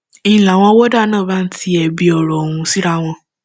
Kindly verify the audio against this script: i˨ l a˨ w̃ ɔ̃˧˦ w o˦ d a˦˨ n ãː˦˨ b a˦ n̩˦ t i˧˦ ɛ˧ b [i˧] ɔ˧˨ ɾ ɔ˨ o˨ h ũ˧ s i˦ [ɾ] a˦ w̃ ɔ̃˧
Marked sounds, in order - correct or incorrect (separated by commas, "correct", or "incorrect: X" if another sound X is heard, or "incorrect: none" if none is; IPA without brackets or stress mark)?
correct, correct